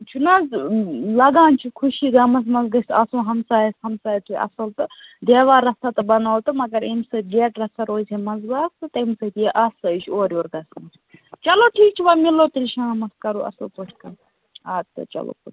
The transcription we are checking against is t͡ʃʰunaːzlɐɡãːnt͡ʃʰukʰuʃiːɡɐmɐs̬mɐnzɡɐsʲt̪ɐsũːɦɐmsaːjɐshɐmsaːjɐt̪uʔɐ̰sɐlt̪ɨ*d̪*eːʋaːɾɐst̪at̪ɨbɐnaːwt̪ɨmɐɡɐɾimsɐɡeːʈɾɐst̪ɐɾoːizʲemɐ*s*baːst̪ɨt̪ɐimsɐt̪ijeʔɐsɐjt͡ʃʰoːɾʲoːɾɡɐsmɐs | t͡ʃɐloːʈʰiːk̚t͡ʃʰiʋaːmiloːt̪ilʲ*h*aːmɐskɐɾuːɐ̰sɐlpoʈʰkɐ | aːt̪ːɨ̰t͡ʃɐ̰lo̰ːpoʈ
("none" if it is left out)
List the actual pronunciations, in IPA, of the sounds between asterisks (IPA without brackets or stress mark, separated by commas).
d̪, z, ʃ